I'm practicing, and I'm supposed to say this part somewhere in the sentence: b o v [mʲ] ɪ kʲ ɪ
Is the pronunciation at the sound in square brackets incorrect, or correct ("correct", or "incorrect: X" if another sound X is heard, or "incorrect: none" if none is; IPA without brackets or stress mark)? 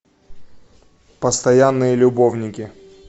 incorrect: nʲ